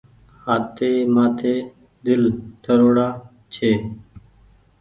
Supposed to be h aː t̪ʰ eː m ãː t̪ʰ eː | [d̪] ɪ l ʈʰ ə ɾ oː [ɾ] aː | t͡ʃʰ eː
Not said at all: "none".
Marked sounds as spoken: d̪, ɽ

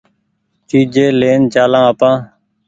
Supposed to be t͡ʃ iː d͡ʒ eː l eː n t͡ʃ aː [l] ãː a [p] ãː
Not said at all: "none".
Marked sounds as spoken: l, p

